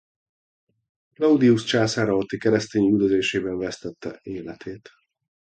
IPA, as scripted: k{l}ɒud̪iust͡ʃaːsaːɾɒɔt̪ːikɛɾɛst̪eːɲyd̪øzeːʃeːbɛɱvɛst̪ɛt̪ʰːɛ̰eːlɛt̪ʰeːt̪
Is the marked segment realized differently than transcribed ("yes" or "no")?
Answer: no